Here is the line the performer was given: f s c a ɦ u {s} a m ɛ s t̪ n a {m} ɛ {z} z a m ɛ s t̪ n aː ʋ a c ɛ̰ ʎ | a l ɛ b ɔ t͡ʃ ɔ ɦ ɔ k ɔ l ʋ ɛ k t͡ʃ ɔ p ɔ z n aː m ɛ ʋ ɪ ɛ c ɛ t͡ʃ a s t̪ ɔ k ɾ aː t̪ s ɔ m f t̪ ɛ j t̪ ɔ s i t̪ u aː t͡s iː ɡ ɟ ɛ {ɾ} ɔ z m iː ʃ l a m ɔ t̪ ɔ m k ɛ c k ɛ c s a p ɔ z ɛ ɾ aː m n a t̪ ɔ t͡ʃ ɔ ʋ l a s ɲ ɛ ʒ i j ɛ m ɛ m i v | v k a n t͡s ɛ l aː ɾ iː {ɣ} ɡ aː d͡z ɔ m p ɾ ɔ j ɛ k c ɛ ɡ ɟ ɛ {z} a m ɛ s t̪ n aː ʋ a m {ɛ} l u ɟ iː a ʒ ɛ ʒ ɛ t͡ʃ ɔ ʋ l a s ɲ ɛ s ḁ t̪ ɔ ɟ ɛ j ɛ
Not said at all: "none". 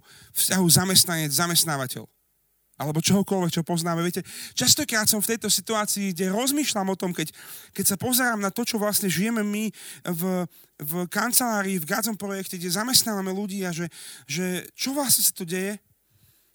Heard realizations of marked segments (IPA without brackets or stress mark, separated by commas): z, ɲ, d͡z, ɾ, v, z, ɛ